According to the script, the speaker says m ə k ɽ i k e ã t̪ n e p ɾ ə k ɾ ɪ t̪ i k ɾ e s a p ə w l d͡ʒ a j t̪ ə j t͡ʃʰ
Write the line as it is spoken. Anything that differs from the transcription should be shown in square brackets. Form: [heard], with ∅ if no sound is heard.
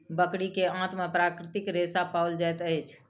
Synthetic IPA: [b] ə k ɽ i k e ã t̪ [m] e p ɾ [a] k ɾ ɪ t̪ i k ɾ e s a p [a] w l d͡ʒ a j t̪ ə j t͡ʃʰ